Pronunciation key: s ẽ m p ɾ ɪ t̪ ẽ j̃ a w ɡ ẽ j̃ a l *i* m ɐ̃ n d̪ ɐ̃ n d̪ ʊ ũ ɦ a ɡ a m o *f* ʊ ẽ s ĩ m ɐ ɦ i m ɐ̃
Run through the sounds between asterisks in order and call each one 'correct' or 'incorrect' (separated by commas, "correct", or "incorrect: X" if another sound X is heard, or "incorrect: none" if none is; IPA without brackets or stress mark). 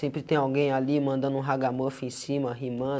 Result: correct, correct